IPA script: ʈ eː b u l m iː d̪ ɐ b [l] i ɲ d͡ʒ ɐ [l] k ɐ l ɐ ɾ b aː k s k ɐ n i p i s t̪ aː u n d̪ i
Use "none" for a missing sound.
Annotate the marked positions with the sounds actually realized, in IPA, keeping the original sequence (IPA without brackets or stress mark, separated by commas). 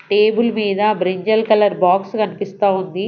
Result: ɾ, l